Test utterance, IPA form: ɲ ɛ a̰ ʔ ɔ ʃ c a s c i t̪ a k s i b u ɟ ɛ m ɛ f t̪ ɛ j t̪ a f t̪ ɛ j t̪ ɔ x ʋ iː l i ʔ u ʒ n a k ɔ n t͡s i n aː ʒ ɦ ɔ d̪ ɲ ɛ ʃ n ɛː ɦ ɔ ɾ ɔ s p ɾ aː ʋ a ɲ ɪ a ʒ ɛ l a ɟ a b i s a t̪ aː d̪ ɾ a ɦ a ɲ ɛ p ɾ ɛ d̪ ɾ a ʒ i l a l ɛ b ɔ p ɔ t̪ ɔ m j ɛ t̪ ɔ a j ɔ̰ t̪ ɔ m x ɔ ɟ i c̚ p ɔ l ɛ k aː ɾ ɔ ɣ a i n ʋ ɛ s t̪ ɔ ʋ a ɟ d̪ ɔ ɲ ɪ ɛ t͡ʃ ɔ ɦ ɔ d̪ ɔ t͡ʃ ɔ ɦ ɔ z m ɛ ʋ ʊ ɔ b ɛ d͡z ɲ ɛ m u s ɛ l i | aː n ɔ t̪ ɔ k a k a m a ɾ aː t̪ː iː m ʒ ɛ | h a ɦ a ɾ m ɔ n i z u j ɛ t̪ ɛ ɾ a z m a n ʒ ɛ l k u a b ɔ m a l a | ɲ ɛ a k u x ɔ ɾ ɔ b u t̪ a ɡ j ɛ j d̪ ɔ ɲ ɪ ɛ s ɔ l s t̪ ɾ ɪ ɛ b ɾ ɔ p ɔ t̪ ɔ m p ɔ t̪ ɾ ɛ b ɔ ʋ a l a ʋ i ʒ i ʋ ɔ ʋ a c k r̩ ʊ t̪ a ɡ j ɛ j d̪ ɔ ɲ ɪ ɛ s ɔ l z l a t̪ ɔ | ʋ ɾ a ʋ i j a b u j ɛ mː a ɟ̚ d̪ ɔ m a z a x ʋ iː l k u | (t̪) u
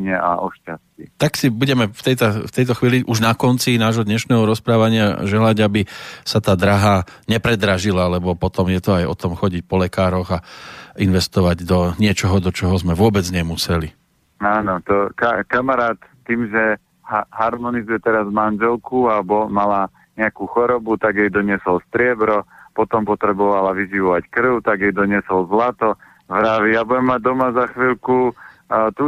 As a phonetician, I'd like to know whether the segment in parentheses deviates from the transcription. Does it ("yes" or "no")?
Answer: no